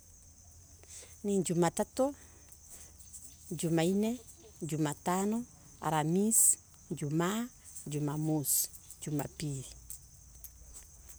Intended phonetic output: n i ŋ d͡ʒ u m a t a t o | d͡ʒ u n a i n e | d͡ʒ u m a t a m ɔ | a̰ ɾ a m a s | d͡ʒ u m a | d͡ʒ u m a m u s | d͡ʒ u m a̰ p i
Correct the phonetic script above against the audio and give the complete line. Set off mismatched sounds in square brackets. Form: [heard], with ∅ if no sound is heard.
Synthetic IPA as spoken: n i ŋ d͡ʒ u m a t a t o | d͡ʒ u [m] a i n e | d͡ʒ u m a t a [n] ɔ | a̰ ɾ a m [i] s | d͡ʒ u m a | d͡ʒ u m a m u s | d͡ʒ u m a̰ p i